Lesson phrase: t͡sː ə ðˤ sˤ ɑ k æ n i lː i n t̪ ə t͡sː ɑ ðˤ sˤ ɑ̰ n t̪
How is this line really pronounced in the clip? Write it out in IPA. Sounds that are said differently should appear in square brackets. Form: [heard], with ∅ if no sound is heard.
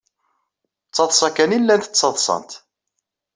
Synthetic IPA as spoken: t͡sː [ɑ] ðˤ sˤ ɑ k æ n i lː [æ] n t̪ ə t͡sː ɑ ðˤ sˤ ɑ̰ n t̪